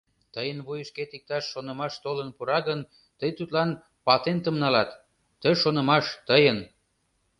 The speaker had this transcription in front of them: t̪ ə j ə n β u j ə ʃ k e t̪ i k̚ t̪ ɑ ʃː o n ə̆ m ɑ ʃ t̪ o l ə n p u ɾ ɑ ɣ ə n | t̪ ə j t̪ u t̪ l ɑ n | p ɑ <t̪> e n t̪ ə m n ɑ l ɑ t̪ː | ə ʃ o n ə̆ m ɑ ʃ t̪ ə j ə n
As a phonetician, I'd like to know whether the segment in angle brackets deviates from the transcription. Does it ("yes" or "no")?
no